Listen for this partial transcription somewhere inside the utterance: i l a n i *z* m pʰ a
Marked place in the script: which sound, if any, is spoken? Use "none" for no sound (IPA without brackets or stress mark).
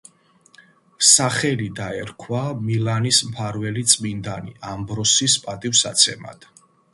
s